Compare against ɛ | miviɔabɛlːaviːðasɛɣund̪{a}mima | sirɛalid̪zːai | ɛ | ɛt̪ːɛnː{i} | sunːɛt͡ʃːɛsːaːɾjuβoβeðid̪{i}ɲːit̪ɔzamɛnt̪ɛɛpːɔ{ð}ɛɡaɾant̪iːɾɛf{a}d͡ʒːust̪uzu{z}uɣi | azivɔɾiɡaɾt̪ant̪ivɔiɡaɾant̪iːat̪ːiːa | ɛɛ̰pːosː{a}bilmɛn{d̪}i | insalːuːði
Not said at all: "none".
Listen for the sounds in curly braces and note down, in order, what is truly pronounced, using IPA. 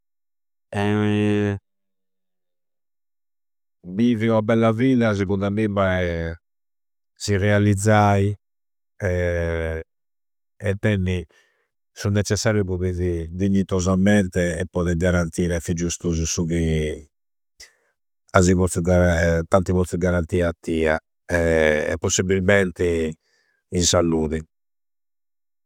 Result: a, i, i, ð, i, s, i, t̪

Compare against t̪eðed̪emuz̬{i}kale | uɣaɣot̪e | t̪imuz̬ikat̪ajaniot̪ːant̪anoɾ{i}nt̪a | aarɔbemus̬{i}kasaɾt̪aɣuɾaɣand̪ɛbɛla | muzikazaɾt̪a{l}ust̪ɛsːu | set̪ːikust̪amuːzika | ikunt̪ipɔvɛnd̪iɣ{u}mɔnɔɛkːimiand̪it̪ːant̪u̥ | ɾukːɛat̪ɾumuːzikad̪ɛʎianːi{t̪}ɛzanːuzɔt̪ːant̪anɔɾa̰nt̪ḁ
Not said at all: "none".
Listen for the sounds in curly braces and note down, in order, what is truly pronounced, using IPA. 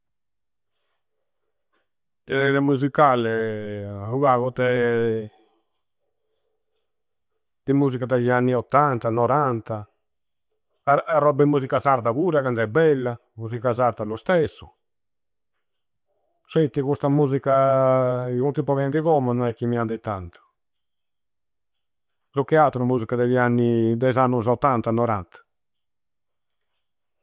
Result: i, a, i, l, ɔ, d̪

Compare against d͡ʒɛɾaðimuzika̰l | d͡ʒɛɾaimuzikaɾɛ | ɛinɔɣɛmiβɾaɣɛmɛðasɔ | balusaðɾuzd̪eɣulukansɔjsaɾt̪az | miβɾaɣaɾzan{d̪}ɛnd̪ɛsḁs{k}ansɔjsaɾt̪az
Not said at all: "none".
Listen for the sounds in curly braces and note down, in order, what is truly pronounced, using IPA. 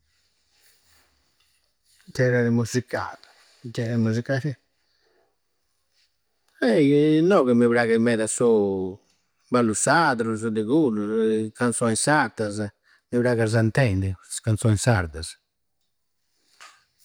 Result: t̪, k

